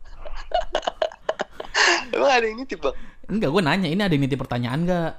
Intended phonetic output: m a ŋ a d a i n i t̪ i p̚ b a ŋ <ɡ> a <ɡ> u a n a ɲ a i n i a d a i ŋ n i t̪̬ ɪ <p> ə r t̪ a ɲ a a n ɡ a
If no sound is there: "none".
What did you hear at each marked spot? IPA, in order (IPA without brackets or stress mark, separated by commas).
ɡ, ɡ, p